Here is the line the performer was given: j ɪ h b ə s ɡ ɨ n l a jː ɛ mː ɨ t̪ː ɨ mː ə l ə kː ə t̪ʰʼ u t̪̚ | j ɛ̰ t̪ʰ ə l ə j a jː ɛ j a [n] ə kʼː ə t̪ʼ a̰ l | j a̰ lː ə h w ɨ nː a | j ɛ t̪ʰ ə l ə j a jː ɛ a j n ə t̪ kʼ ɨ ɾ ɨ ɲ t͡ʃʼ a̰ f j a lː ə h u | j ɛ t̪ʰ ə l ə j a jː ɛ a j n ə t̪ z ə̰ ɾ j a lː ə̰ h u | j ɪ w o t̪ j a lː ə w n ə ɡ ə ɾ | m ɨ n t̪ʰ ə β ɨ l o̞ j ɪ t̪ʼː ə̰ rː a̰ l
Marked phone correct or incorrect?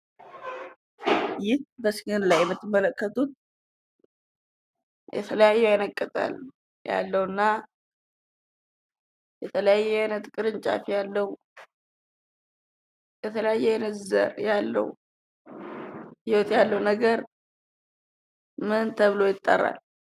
correct